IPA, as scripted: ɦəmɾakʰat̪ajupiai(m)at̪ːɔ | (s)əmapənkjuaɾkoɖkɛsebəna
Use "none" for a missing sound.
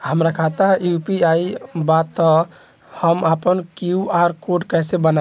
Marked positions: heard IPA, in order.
b, h

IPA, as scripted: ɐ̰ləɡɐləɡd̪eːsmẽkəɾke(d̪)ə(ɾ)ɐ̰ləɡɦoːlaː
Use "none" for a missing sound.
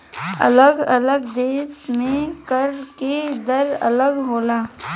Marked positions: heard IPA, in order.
d̪, ɾ

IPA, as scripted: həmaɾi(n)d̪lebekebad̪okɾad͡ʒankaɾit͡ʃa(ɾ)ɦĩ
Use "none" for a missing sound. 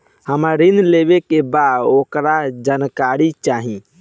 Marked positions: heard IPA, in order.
n, none

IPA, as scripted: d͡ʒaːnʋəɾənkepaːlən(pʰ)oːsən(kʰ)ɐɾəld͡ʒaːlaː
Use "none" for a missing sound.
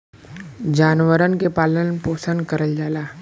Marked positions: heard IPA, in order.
p, k

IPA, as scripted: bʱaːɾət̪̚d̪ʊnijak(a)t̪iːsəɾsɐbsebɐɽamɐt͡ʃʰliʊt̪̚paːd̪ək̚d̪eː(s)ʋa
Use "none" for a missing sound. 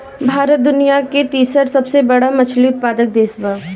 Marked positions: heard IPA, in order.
e, s

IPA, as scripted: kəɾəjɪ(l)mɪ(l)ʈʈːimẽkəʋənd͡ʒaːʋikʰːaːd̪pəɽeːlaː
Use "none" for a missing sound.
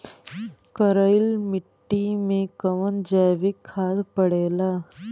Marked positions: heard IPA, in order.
l, none

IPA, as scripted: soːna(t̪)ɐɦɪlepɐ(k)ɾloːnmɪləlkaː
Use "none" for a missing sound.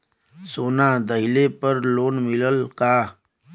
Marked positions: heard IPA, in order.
d̪, none

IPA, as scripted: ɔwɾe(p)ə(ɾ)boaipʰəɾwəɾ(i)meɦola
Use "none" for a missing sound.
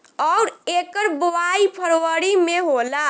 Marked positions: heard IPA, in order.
k, ɾ, i

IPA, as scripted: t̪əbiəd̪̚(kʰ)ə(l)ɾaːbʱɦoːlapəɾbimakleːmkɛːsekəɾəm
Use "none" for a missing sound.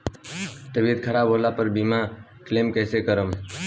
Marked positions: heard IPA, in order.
kʰ, none

